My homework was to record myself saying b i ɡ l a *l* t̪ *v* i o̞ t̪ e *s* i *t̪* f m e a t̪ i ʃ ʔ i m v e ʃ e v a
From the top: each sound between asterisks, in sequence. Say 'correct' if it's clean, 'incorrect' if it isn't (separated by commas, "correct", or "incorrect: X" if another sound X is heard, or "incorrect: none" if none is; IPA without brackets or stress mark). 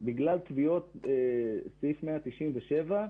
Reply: correct, correct, correct, incorrect: none